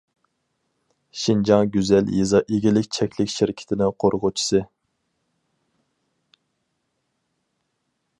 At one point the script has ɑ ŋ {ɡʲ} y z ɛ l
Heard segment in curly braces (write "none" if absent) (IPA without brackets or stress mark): ɡʲ